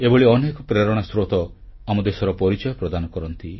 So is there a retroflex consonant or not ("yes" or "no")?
yes